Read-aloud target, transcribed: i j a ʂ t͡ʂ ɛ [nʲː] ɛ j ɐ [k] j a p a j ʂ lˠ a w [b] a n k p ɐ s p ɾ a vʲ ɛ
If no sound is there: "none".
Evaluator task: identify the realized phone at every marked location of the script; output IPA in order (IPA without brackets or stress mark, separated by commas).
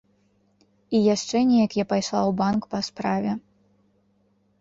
nʲ, k, b